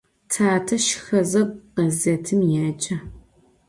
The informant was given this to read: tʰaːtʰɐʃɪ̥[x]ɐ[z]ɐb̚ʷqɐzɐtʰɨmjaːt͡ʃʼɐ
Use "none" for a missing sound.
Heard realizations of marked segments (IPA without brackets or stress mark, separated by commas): x, z